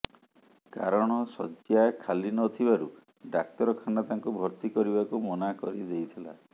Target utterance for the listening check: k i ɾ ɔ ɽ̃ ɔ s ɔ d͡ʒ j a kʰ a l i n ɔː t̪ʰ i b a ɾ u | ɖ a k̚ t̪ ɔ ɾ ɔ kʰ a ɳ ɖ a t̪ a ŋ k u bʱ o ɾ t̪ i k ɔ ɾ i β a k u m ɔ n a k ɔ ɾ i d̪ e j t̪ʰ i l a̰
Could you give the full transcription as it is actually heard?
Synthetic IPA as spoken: k a ɾ ɔ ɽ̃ ɔ s ɔ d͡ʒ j a kʰ a l i n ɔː t̪ʰ i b a ɾ u | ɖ a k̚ t̪ ɔ ɾ ɔ kʰ a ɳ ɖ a t̪ a ŋ k u bʱ ɔ ɾ t̪ i k ɔ ɾ i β a k u m ɔ n a k ɔ ɾ i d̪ e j t̪ʰ i l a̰

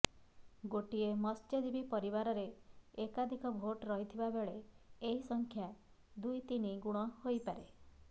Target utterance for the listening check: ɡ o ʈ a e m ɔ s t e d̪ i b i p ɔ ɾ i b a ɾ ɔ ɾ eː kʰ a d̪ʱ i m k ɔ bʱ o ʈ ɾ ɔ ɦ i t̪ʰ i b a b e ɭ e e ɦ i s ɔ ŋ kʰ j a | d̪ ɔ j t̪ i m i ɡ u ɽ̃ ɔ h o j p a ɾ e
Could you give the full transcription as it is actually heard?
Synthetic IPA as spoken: ɡ o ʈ i e m ɔ s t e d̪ i b i p ɔ ɾ i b a ɾ ɔ ɾ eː k a d̪ʱ i k ɔ bʱ o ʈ ɾ ɔ ɦ i t̪ʰ i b a b e ɭ e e ɦ i s ɔ ŋ kʰ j a | d̪ u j t̪ i n i ɡ u ɽ̃ ɔ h o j p a ɾ e

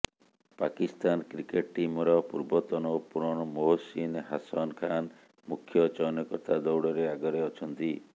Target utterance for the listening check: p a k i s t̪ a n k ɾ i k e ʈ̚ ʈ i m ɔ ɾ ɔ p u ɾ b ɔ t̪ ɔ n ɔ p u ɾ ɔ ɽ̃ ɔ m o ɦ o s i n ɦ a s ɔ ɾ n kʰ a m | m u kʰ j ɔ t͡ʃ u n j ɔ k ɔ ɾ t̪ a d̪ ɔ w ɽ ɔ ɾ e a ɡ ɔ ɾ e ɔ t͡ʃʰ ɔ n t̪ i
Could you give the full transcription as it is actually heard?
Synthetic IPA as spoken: p a k i s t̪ a n k ɾ i k e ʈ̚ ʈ i m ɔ ɾ ɔ p u ɾ b ɔ t̪ ɔ n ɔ p u ɾ ɔ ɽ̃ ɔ m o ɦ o s i n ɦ a s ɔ n kʰ a n | m u kʰ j ɔ t͡ʃ ɔ n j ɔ k ɔ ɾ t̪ a d̪ ɔ w ɽ ɔ ɾ e a ɡ ɔ ɾ e ɔ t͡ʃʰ ɔ n t̪ i

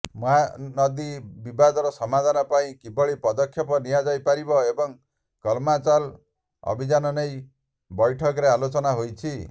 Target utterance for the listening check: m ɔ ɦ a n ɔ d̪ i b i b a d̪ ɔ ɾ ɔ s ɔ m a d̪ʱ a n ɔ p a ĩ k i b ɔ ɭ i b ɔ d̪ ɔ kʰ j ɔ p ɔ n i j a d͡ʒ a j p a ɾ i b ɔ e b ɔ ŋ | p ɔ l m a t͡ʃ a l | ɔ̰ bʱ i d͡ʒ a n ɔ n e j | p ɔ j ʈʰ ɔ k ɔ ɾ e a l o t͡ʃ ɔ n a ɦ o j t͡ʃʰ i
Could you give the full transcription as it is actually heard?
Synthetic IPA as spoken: m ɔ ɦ a n ɔ d̪ i b i b a d̪ ɔ ɾ ɔ s ɔ m a d̪ʱ a n ɔ p a ĩ k i b ɔ ɭ i p ɔ d̪ ɔ kʰ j ɔ p ɔ n i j a d͡ʒ a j p a ɾ i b ɔ e b ɔ ŋ | k ɔ l m a t͡ʃ a l | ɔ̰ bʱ i d͡ʒ a n ɔ n e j | b ɔ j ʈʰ ɔ k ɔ ɾ e a l o t͡ʃ ɔ n a ɦ o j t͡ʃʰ i

